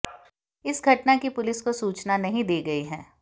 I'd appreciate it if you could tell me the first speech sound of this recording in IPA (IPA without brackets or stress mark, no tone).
ɪ